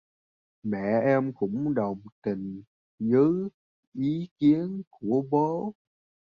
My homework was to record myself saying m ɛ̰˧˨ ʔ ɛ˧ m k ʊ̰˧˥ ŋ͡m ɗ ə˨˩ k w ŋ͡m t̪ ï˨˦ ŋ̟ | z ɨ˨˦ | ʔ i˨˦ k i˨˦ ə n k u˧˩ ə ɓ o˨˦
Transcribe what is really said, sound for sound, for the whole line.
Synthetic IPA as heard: m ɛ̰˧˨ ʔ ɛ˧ m k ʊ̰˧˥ ŋ͡m ɗ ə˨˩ w ŋ͡m t̪ ï˨˩ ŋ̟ | z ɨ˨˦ | ʔ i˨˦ k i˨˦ ə n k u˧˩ ə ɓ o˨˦